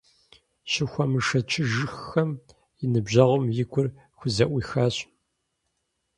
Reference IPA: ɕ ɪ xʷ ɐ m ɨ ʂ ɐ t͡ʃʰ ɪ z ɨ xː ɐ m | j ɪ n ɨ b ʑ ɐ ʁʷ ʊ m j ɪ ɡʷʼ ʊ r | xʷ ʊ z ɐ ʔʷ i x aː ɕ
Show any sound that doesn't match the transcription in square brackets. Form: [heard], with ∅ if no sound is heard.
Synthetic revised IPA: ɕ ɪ xʷ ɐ m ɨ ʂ ɐ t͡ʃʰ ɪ [ʒ] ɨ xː ɐ m | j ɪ n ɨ b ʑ ɐ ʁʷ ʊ m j ɪ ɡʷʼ ʊ r | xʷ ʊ z ɐ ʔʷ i x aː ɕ